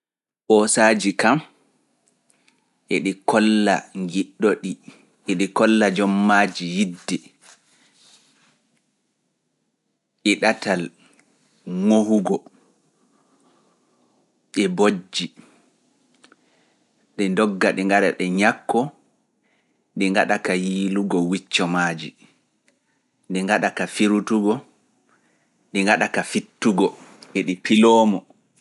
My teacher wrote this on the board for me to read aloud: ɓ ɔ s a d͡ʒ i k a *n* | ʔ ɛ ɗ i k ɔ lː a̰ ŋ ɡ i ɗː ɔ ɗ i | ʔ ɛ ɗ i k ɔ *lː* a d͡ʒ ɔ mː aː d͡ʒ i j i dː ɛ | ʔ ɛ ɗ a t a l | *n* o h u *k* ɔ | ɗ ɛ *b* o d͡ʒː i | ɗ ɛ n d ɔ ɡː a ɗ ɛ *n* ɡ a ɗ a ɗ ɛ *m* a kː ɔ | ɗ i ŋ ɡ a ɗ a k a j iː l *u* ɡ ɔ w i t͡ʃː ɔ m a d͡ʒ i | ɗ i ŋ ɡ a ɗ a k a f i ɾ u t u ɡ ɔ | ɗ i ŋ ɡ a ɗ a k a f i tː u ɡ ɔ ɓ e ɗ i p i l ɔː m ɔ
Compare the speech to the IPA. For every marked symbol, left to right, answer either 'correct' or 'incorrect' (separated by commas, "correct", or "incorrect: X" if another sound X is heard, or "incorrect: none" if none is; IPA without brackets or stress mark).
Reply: incorrect: m, correct, incorrect: ŋ, incorrect: ɡ, correct, incorrect: ŋ, incorrect: ɲ, correct